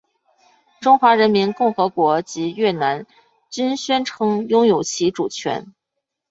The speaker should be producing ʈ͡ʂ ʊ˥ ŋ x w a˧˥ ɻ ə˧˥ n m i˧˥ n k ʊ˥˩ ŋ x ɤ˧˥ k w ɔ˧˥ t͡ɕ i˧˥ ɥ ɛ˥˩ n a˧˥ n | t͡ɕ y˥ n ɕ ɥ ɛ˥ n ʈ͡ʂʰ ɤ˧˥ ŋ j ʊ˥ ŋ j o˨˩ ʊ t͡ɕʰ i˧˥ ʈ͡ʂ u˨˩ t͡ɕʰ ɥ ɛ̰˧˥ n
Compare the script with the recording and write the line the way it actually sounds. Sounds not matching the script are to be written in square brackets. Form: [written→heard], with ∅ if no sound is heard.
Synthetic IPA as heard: ʈ͡ʂ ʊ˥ ŋ x w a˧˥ ɻ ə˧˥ n m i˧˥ n k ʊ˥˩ ŋ x ɤ˧˥ k w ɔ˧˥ t͡ɕ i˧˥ ɥ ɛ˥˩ n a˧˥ n | t͡ɕ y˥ n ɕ ɥ ɛ˥ n ʈ͡ʂʰ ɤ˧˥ ŋ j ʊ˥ ŋ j o˨˩ ʊ t͡ɕʰ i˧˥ ʈ͡ʂ u˨˩ t͡ɕʰ ɥ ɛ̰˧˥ n